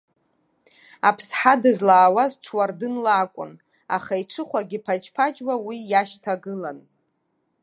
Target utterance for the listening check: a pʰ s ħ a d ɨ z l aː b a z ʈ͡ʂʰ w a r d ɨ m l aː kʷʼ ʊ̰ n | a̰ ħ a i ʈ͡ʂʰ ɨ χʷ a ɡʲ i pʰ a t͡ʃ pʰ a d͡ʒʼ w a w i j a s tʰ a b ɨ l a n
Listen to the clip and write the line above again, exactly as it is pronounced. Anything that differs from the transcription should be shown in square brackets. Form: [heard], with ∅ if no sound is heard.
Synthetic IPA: a pʰ s ħ a d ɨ z l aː [w] a z ʈ͡ʂʰ w a r d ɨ [n] l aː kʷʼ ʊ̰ n | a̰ [χ] a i ʈ͡ʂʰ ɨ χʷ a ɡʲ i pʰ a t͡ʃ pʰ a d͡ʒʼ w a w i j a [ʃ] tʰ a [ɡ] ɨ l a n